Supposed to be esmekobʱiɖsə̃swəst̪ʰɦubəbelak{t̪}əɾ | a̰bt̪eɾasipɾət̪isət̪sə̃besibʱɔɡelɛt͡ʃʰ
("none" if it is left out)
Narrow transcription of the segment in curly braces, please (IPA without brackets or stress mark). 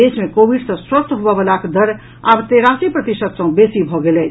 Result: d̪